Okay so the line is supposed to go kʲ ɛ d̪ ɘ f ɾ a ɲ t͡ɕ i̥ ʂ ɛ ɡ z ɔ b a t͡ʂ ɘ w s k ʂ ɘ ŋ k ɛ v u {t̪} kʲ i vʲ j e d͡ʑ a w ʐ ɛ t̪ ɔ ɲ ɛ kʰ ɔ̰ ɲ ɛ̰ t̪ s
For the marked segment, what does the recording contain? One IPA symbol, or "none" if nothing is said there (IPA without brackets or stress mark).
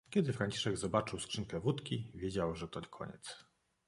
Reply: t̪